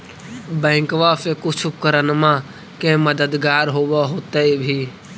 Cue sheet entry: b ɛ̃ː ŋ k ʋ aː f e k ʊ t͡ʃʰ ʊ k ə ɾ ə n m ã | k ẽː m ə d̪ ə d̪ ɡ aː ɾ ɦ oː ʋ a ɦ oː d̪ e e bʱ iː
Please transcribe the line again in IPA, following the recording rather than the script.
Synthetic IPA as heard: b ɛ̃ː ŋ k ʋ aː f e k ʊ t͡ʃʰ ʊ k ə ɾ ə n m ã | k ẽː m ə d̪ ə d̪ ɡ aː ɾ ɦ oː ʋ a ɦ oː t̪ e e bʱ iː